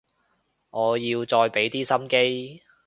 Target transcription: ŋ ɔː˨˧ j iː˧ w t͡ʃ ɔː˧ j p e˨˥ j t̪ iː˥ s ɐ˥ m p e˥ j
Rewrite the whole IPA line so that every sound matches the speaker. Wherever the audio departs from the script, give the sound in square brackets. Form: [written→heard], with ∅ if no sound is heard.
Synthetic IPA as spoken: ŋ ɔː˨˧ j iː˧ w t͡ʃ ɔː˧ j p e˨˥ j t̪ iː˥ s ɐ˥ m [p→k] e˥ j